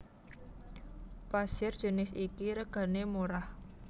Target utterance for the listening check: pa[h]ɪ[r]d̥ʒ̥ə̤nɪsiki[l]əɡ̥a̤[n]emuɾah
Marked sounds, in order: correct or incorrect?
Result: incorrect: s, correct, incorrect: ɾ, correct

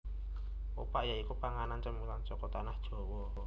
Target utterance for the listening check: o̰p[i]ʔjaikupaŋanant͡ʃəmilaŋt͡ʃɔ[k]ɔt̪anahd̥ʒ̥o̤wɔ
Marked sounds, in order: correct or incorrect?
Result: incorrect: a, correct

